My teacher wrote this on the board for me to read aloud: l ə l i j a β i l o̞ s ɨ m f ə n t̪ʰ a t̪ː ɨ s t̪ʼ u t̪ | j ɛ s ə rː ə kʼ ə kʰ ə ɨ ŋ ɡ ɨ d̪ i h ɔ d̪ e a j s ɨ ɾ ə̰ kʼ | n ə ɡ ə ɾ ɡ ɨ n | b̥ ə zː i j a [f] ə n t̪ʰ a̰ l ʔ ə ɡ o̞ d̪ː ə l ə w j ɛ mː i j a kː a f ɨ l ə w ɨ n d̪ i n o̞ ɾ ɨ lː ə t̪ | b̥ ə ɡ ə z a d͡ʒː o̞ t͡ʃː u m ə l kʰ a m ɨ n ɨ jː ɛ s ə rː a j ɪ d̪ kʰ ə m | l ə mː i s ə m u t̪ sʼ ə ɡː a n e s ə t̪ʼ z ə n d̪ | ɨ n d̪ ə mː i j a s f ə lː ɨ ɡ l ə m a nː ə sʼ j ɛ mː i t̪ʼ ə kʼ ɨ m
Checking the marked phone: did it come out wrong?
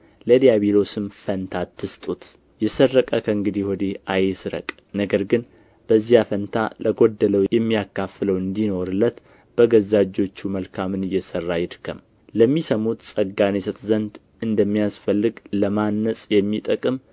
no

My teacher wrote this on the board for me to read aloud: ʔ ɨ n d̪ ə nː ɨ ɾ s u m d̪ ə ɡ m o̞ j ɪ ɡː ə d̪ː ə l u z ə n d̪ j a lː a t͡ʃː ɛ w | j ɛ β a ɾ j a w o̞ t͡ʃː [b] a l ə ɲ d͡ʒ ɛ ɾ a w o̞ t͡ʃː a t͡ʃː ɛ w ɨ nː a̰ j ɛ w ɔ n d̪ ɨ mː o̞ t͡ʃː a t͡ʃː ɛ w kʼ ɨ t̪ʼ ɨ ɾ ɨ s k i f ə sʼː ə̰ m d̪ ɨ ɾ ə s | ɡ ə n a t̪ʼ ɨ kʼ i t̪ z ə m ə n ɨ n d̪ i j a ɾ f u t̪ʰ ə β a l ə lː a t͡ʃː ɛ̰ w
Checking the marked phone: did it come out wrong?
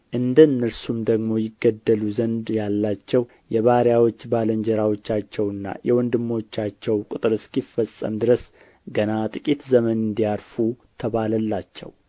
no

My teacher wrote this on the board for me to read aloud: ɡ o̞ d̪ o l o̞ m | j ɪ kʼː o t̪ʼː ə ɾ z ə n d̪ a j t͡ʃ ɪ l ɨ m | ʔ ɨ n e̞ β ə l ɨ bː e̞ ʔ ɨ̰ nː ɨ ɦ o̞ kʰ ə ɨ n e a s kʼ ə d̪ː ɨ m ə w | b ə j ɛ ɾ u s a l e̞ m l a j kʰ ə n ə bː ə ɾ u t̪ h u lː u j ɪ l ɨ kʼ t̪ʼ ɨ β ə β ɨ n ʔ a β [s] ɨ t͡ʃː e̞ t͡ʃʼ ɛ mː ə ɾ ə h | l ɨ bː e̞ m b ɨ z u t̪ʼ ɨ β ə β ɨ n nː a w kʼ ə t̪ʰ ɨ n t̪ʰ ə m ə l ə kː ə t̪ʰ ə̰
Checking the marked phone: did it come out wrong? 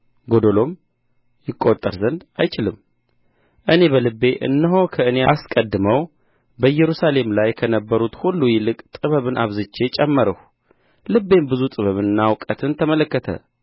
yes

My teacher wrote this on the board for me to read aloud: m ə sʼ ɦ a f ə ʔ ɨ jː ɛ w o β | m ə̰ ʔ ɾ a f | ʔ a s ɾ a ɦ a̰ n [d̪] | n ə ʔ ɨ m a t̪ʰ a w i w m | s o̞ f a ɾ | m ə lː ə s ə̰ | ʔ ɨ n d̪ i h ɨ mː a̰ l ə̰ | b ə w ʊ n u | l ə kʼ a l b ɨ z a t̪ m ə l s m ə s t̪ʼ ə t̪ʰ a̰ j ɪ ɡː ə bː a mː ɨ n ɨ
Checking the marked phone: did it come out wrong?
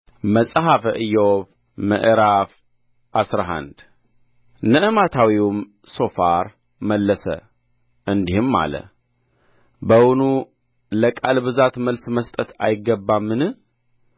no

